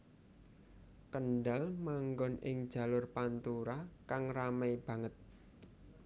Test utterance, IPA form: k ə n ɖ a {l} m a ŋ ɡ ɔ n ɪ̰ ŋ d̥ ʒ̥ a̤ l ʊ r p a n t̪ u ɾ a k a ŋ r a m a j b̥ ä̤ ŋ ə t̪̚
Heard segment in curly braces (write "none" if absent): l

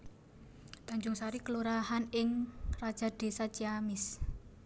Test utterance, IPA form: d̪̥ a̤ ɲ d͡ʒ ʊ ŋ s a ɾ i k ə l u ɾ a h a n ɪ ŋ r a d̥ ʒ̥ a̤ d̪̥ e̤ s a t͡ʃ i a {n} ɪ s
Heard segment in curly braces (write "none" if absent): m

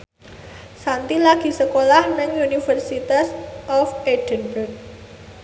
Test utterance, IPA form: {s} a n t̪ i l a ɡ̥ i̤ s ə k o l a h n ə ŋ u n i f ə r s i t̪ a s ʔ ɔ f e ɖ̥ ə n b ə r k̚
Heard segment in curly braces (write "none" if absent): s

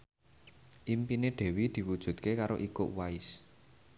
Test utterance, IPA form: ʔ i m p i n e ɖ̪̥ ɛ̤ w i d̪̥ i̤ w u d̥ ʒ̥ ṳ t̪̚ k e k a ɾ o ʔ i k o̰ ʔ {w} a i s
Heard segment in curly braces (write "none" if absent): w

